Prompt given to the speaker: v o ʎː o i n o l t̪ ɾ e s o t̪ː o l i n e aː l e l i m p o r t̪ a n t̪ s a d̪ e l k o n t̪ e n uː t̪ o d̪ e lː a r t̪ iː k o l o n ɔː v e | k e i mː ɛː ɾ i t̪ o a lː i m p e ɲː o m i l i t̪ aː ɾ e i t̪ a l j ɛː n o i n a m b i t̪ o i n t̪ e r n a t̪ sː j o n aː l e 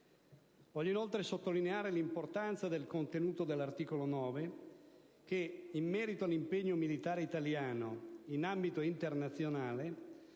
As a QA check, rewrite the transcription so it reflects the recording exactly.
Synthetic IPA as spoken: v ɔ ʎː o i n o l t̪ ɾ e s o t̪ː o l i n e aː ɾ e l i m p o r t̪ a n t̪ s a d̪ e l k o n t̪ e n uː t̪ o d̪ e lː a r t̪ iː k o l o n ɔː v e | k e i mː ɛː ɾ i t̪ o a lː i m p e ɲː o m i l i t̪ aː ɾ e i t̪ a l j aː n o i n a m b i t̪ o i n t̪ e r n a t̪ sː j o n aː l e

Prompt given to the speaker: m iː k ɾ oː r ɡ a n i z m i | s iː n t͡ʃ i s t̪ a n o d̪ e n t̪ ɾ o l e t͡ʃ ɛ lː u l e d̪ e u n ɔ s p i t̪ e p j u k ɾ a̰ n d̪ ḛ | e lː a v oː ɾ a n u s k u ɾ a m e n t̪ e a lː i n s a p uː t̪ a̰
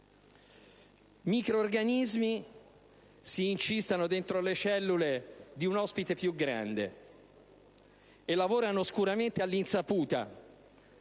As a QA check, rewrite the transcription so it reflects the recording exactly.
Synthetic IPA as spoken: m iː k ɾ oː r ɡ a n i z m i | s iː n t͡ʃ i s t̪ a n o d̪ e n t̪ ɾ o l e t͡ʃ ɛ lː u l e d̪ i u n ɔ s p i t̪ e p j u ɡ ɾ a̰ n d̪ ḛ | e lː a v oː ɾ a n o s k u ɾ a m e n t̪ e a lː i n s a p uː t̪ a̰

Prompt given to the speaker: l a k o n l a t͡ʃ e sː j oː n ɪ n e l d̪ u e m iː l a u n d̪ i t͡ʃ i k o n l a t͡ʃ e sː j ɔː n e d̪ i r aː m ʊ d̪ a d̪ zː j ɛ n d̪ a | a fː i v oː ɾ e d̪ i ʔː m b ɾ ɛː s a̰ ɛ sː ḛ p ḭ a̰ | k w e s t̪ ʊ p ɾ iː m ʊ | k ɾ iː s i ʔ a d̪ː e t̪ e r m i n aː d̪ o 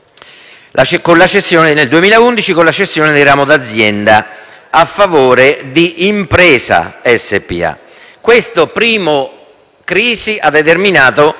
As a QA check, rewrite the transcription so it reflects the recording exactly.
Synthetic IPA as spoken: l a k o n l a t͡ʃ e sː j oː n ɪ n e l d̪ u e m iː l a u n d̪ i t͡ʃ i k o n l a t͡ʃ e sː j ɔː n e d̪ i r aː m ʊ d̪ a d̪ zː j ɛ n d̪ a | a fː a v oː ɾ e d̪ i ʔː m p ɾ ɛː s a̰ ɛ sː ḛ p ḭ a̰ | k w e s t̪ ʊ p ɾ iː m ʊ | k ɾ iː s i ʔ a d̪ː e t̪ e r m i n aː t̪ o

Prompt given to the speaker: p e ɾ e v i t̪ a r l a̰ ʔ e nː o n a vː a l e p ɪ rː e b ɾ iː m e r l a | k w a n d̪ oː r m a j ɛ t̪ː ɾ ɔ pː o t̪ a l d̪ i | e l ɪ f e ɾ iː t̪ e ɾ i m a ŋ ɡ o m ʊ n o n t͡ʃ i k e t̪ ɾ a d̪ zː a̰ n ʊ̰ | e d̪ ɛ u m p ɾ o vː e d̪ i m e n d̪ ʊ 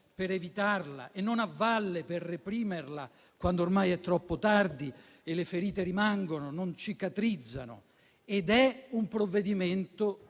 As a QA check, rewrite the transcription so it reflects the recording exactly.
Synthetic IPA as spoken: p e ɾ e v i t̪ a r l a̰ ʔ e nː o n a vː a lː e p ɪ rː e p ɾ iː m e r l a | k w a n d̪ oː r m a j ɛ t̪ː ɾ ɔ pː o t̪ a r d̪ i | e l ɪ f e ɾ iː t̪ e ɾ i m a ŋ ɡ o n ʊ n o n t͡ʃ i k a t̪ ɾ i d̪ zː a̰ n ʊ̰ | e d̪ ɛ u m p ɾ o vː e d̪ i m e n t̪ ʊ

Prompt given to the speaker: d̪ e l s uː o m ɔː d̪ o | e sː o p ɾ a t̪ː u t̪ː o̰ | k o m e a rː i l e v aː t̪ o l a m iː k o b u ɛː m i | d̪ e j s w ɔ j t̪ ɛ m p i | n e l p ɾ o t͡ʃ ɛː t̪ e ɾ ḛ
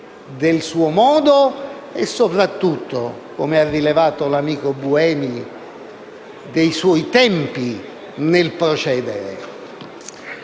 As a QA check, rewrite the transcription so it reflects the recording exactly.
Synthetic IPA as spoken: d̪ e l s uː o m ɔː d̪ o | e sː o p ɾ a t̪ː u t̪ː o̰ | k o m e a rː i l e v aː t̪ o l a m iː k o b u ɛː m i | d̪ e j s w ɔ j t̪ ɛ m p i | n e l p ɾ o t͡ʃ ɛː d̪ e ɾ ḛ

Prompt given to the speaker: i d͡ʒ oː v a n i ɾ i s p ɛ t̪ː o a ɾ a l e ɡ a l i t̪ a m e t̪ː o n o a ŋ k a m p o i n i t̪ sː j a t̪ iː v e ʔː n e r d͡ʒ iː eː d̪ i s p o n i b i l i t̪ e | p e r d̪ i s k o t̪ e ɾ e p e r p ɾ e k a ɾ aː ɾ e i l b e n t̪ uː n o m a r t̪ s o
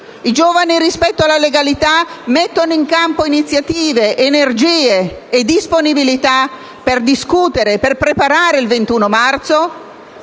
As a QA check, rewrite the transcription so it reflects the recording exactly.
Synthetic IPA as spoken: i d͡ʒ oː v a n i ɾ i s p ɛ t̪ː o a l a l e ɡ a l i t̪ a m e t̪ː o n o i ŋ k a m p o i n i t̪ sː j a t̪ iː v e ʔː n e r d͡ʒ iː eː d̪ i s p o n i b i l i t̪ a | p e r d̪ i s k u t̪ e ɾ e p e r p ɾ e p a ɾ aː ɾ e i l v e n t̪ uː n o m a r t̪ s o

